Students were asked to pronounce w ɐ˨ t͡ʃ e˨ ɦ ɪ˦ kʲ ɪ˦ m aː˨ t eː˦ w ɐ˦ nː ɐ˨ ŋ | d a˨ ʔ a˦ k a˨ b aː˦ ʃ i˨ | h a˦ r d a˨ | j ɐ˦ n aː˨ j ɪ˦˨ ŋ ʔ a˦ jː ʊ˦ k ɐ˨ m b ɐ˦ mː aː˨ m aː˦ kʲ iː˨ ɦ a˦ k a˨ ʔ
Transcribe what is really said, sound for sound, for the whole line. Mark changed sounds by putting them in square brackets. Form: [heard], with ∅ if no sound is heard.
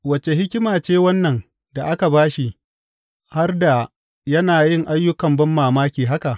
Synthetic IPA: w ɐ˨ t͡ʃ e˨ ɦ ɪ˦ kʲ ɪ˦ m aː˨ [t͡ʃ] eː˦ w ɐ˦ nː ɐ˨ ŋ | d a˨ ʔ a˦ k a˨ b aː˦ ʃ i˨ | h a˦ r d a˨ | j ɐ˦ n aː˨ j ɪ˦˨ ŋ ʔ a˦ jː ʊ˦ k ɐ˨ m b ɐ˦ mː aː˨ m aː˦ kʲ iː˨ ɦ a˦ k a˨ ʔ